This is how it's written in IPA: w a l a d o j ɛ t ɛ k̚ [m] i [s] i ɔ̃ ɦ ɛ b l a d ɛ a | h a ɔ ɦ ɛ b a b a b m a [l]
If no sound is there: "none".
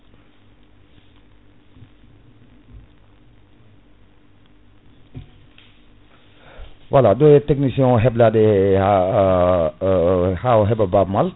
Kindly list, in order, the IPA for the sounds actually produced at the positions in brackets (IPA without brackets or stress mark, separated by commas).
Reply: n, s, l